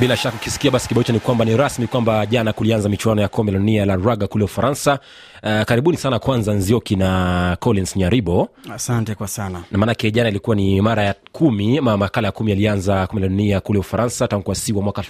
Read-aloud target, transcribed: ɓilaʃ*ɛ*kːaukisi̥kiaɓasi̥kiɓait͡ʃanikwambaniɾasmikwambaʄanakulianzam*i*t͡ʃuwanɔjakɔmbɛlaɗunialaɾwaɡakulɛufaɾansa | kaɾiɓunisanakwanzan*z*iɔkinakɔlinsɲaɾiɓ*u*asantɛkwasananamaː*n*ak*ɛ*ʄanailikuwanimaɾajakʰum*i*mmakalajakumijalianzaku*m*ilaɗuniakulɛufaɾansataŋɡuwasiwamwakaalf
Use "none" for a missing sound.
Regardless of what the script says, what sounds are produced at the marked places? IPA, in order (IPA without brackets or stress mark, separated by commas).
a, i, z, ɔ, n, ɛ, i, m